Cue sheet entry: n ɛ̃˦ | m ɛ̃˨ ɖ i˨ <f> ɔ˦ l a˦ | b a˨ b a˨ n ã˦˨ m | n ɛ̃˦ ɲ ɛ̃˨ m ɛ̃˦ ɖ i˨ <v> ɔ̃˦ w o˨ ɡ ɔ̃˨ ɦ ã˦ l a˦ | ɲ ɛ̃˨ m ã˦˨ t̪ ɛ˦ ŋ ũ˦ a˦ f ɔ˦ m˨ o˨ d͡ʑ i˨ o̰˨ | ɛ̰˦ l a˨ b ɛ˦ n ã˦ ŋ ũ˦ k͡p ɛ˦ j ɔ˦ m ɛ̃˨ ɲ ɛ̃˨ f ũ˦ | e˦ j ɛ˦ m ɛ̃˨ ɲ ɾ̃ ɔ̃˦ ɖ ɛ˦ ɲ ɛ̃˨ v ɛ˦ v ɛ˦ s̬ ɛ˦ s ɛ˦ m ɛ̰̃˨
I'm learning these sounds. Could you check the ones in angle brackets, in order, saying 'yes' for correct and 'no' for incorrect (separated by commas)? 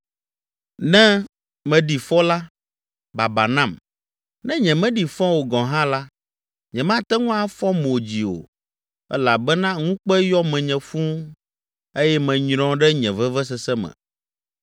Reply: yes, no